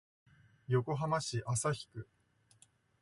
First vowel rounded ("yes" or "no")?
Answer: yes